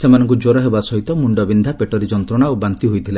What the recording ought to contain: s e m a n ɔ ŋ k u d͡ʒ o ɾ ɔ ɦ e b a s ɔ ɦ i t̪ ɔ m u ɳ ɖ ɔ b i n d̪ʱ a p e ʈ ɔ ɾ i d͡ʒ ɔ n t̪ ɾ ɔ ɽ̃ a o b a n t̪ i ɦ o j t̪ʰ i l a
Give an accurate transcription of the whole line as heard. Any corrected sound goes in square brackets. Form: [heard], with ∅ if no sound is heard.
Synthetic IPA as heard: s e m a n ɔ ŋ k u d͡ʒ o ɾ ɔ ɦ e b a s ɔ ɦ i t̪ ɔ m u ɳ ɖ ɔ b i n d̪ʱ a p e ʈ ɔ ɾ i d͡ʒ ɔ n t̪ ɾ ɔ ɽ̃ a o b a n t̪ i ɦ o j t̪ʰ i l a

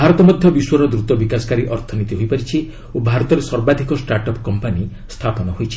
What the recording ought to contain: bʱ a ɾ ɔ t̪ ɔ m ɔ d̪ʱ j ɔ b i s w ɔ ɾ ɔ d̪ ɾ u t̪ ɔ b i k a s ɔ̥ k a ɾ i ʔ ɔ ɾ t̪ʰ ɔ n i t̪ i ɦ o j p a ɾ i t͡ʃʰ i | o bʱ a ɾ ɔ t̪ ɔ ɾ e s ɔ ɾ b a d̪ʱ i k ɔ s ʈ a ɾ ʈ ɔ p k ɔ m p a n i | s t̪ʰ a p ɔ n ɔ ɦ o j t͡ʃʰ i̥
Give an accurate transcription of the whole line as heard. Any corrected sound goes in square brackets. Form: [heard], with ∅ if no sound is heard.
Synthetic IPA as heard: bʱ a ɾ ɔ t̪ ɔ m ɔ d̪ʱ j ɔ b i s w ɔ ɾ ɔ d̪ ɾ u t̪ ɔ b i k a s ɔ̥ k a ɾ i ʔ ɔ ɾ t̪ʰ ɔ n i t̪ i ɦ o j p a ɾ i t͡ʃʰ i | o bʱ a ɾ ɔ t̪ ɔ ɾ e s ɔ ɾ b a d̪ʱ i k ɔ s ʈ a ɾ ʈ ɔ p k ɔ m p a n i | s t̪ʰ a p ɔ n ɔ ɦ o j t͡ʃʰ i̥

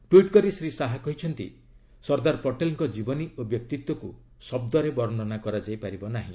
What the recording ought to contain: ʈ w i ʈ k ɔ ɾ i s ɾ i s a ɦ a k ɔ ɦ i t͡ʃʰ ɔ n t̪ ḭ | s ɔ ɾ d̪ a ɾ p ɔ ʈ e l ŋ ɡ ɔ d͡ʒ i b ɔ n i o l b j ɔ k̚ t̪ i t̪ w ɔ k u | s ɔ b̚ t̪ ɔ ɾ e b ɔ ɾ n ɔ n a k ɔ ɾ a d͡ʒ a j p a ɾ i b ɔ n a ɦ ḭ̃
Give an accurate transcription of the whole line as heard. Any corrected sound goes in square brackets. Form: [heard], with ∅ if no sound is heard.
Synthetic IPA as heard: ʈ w i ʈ k ɔ ɾ i s ɾ i s a ɦ a k ɔ ɦ i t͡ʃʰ ɔ n t̪ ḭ | s ɔ ɾ d̪ a ɾ p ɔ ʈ e l ŋ [k] ɔ d͡ʒ i b ɔ n i o [∅] b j ɔ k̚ t̪ i t̪ w ɔ k u | s ɔ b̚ [d̪] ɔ ɾ e b ɔ ɾ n ɔ n a k ɔ ɾ a d͡ʒ a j p a ɾ i b ɔ n a ɦ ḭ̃

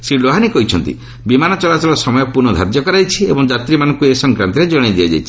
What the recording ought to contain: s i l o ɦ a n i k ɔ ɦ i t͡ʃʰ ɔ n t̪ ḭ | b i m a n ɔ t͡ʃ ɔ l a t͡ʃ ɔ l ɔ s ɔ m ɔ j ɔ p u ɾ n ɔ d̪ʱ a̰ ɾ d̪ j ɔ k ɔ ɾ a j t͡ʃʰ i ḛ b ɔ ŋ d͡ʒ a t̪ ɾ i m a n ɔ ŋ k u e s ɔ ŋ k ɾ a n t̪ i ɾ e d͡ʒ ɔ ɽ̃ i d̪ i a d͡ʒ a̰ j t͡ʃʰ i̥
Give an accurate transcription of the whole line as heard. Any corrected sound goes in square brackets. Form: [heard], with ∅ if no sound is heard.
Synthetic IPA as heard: s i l o ɦ a n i k ɔ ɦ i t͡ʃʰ ɔ n t̪ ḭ | b i m a n ɔ t͡ʃ ɔ l a t͡ʃ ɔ l ɔ s ɔ m ɔ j ɔ p u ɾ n ɔ d̪ʱ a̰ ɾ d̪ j ɔ k ɔ ɾ a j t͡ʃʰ i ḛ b ɔ ŋ d͡ʒ a t̪ ɾ i m a n ɔ ŋ k u e s ɔ ŋ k ɾ a n t̪ i ɾ e d͡ʒ ɔ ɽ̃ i d̪ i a d͡ʒ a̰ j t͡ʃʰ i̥

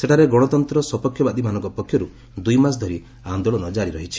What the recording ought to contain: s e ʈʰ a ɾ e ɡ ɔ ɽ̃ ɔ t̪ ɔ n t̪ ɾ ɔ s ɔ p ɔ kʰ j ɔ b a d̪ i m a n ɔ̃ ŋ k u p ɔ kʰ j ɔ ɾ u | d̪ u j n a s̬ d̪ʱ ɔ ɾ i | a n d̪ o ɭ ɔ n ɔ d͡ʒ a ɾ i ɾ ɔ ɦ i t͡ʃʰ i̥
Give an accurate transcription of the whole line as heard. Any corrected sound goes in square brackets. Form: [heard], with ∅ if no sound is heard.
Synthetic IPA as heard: s e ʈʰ a ɾ e ɡ ɔ ɽ̃ ɔ t̪ ɔ n t̪ ɾ ɔ s ɔ p ɔ kʰ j ɔ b a d̪ i m a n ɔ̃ ŋ k [ɔ] p ɔ kʰ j ɔ ɾ u | d̪ u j [m] a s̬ d̪ʱ ɔ ɾ i | a n d̪ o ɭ ɔ n ɔ d͡ʒ a ɾ i ɾ ɔ ɦ i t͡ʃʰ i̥

